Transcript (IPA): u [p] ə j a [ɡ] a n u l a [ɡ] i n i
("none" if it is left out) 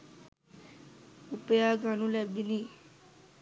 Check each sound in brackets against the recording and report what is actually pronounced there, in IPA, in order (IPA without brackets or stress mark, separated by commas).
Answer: p, ɡ, b